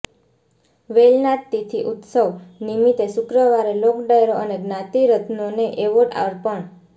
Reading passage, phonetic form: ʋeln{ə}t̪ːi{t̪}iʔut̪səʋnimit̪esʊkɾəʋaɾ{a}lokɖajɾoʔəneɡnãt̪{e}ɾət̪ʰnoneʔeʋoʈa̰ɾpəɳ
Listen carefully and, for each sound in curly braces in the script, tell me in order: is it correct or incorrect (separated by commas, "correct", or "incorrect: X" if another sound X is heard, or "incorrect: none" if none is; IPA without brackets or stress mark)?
incorrect: a, incorrect: t̪ʰ, incorrect: e, incorrect: i